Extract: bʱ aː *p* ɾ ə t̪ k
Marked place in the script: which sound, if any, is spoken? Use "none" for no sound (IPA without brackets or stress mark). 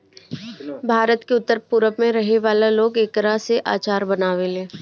none